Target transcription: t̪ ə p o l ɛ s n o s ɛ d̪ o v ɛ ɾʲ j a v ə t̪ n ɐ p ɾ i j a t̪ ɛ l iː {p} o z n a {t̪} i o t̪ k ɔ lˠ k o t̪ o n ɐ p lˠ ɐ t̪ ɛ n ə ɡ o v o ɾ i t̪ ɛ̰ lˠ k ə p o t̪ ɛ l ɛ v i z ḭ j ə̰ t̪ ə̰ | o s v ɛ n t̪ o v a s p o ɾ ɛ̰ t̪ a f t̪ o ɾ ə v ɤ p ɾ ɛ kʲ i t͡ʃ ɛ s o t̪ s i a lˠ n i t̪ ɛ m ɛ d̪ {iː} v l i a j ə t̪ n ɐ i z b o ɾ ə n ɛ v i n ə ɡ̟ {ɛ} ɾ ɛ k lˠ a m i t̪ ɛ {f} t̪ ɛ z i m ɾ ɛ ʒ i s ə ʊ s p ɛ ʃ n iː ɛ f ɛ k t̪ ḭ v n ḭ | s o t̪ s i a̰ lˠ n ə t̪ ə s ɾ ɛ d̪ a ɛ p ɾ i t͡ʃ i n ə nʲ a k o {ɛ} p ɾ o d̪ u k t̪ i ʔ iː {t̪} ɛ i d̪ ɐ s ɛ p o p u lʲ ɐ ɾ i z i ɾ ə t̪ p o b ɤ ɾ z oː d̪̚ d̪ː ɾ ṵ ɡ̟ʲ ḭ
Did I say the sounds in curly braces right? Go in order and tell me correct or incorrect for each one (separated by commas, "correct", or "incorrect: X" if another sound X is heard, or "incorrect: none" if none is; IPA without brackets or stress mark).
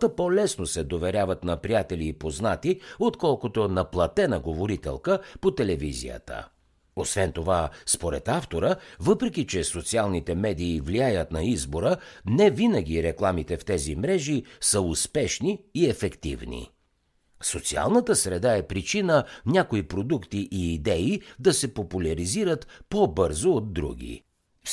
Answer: correct, correct, correct, incorrect: i, correct, incorrect: i, incorrect: d̪